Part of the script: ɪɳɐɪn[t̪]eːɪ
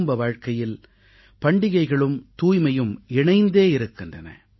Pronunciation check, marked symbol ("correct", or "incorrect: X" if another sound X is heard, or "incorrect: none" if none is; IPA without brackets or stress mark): incorrect: d̪